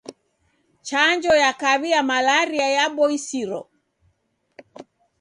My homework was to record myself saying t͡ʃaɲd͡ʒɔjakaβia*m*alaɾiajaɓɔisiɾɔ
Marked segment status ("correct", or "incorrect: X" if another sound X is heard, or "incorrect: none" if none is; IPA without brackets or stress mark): correct